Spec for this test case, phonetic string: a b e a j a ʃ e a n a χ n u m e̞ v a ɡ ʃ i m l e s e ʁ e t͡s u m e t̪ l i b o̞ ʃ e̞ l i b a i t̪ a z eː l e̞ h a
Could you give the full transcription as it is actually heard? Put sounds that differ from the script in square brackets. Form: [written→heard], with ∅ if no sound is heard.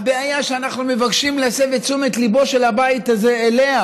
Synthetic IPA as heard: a b e a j a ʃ e a n a χ n u m e̞ v a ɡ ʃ i m l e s e [ʁ→v] e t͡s u m e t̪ l i b o̞ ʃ e̞ l [i→a] b a i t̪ a z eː l e̞ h a